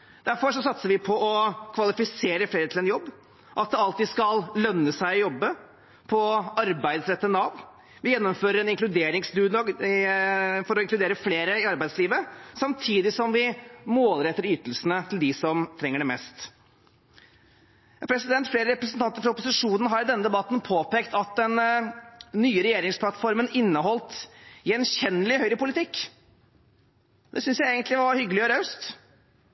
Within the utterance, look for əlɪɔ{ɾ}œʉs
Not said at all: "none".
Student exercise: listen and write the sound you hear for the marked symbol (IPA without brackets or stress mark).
ɾ